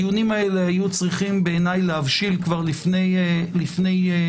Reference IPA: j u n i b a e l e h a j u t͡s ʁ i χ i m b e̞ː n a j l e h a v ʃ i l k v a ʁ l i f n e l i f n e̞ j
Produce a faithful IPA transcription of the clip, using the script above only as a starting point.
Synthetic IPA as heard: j u n i m a e l e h a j u t͡s ʁ i χ i m b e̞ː n a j l e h a v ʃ i l k v a ʁ l i f n e l i f n e̞ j